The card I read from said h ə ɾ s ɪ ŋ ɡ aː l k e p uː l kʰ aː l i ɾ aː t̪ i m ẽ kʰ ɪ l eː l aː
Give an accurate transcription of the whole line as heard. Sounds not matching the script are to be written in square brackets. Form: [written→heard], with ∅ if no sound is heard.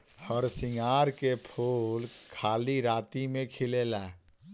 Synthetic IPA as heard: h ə ɾ s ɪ ŋ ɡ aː [l→ɾ] k e [p→pʰ] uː l kʰ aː l i ɾ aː t̪ i m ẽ kʰ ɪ l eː l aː

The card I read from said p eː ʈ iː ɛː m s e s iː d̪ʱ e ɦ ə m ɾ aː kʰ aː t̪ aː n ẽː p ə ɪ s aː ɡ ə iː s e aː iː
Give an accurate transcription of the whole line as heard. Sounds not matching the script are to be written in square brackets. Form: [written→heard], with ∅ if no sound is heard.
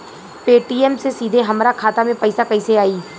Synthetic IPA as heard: p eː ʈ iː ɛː m s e s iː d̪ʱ e ɦ ə m ɾ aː kʰ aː t̪ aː [n→m] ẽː p ə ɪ s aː [ɡ→k] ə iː s e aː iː

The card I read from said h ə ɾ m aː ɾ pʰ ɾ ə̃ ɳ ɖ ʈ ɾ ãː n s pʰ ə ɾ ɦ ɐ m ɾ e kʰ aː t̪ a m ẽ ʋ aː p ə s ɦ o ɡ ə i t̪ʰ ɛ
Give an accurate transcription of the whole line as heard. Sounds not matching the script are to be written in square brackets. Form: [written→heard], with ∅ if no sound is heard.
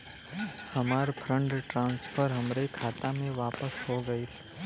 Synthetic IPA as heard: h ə [ɾ→∅] m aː ɾ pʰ ɾ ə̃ ɳ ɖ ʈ ɾ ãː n s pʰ ə ɾ ɦ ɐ m ɾ e kʰ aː t̪ a m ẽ ʋ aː p ə s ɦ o ɡ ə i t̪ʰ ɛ

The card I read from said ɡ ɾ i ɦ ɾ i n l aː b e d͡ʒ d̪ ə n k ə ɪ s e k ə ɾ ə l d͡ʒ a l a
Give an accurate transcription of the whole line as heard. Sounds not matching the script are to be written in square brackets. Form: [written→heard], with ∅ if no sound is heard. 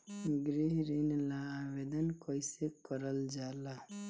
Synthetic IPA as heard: ɡ ɾ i ɦ ɾ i n l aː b e [d͡ʒ→∅] d̪ ə n k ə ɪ s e k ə ɾ ə l d͡ʒ a l a

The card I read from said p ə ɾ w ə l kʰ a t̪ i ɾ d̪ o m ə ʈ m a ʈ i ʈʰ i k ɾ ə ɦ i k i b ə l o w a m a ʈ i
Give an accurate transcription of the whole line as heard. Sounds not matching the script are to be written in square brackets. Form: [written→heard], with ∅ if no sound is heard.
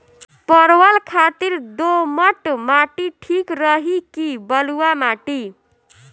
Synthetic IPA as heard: p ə ɾ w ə l kʰ a t̪ i ɾ d̪ o m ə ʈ m a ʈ i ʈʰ i k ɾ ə ɦ i k i b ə l [o→u] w a m a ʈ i

